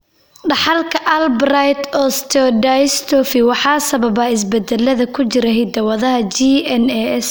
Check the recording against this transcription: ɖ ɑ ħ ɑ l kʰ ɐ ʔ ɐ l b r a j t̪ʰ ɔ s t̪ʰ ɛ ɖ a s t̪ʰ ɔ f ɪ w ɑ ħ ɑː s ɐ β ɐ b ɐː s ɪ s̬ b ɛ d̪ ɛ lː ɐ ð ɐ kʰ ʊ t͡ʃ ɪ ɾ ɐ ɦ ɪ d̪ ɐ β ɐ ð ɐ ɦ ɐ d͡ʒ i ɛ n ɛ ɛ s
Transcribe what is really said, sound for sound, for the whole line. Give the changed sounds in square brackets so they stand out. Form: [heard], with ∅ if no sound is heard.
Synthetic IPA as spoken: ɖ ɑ ħ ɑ l kʰ ɐ ʔ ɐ l b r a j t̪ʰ ɔ s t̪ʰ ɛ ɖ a s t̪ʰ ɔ f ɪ w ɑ ħ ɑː s ɐ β ɐ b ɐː [∅] ɪ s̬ b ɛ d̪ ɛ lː ɐ ð ɐ kʰ ʊ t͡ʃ ɪ ɾ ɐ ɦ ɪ d̪ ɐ [w] ɐ ð ɐ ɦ ɐ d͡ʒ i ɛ n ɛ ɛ s